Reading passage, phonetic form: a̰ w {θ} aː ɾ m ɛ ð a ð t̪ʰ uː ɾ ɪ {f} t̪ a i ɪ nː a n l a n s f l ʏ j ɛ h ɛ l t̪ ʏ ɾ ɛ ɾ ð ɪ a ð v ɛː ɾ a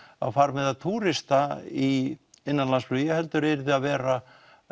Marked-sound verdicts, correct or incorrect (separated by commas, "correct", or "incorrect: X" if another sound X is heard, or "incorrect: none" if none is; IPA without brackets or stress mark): incorrect: f, incorrect: s